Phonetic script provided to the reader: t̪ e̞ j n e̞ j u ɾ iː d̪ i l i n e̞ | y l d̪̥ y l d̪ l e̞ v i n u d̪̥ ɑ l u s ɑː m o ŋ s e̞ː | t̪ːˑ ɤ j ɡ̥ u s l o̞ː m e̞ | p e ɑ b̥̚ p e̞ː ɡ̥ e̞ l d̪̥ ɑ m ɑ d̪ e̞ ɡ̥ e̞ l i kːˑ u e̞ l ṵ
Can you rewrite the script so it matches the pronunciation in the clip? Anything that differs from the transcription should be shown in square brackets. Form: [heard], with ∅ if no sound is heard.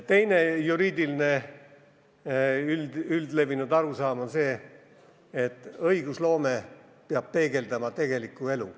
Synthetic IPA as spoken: t̪ e̞ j n e̞ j u ɾ iː d̪ i l i n e̞ | y l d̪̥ y l d̪ l e̞ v i n u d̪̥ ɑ [ɾ] u s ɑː m o [n] s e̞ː | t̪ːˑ ɤ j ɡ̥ u s l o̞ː m e̞ | p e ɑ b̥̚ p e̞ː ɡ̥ e̞ l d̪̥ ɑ m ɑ [t̪] e̞ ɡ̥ e̞ l i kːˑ u e̞ l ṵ